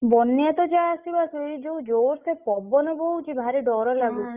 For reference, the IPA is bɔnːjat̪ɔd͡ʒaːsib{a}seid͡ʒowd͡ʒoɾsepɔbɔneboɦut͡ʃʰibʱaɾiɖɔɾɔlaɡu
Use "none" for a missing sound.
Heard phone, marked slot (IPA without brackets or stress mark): a